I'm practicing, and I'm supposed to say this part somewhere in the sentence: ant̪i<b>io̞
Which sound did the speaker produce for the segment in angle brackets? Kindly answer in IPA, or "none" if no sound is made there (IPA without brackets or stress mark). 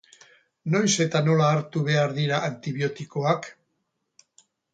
β